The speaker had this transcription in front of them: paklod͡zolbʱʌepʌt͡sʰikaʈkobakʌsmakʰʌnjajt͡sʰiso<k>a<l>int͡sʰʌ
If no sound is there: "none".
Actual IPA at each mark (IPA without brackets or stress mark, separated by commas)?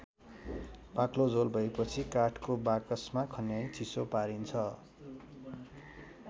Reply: p, ɾ